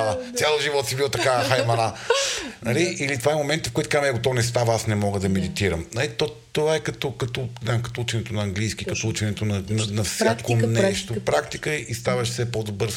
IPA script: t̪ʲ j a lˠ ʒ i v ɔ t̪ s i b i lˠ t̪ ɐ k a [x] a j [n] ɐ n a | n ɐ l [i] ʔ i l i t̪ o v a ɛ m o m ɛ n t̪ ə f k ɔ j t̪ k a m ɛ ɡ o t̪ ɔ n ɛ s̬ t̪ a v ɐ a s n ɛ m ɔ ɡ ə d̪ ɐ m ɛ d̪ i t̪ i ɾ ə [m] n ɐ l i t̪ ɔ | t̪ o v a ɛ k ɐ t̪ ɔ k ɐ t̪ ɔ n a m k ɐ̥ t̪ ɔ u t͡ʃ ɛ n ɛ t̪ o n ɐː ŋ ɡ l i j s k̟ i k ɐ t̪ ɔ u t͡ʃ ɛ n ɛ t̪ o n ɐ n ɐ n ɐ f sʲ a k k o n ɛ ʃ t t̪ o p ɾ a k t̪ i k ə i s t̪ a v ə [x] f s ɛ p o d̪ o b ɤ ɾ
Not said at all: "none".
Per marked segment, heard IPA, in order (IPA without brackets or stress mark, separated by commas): x, m, i, m, ʃ